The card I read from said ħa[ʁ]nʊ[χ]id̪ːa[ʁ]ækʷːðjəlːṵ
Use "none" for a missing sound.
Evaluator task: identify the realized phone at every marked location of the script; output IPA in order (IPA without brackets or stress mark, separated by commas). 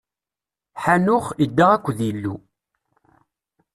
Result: none, χ, ʁ